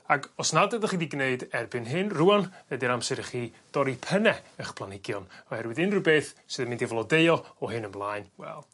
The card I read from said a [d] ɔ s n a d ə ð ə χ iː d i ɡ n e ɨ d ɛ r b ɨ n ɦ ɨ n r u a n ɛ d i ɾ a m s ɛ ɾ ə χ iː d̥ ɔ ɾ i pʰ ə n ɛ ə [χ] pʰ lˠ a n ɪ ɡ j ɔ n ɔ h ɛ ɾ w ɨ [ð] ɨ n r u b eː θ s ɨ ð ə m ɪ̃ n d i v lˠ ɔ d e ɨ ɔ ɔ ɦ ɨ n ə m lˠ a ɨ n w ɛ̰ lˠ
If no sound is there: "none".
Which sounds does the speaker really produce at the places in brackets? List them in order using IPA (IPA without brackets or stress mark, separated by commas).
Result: ɡ, χ, ð